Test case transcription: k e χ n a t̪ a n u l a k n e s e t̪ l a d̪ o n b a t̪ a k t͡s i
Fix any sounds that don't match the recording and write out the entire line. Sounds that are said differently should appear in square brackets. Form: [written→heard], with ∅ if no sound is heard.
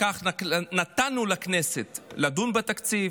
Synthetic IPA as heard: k [e→a] χ n a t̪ a n u l a k n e s e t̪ l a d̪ [o→u] n b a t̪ a k t͡s i